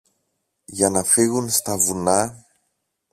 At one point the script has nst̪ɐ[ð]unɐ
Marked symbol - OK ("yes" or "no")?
no